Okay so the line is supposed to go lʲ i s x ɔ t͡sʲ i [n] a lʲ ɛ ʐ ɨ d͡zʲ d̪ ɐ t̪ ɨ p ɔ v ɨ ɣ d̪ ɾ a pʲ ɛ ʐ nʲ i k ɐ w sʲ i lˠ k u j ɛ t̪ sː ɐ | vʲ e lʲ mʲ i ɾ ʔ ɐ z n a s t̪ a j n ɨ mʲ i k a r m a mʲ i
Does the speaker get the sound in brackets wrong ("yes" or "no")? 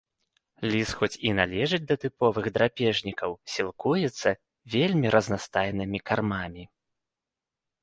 no